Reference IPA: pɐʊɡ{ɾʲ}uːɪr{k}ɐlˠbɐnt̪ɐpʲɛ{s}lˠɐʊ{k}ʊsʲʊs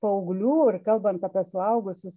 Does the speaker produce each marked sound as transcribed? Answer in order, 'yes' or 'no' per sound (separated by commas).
no, yes, yes, no